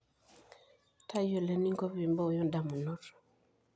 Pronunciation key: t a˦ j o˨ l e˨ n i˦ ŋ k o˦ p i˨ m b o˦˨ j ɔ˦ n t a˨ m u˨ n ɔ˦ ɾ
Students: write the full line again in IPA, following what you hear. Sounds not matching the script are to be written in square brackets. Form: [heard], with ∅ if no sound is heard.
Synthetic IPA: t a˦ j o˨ l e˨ n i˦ ŋ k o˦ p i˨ m b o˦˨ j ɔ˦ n [d] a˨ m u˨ n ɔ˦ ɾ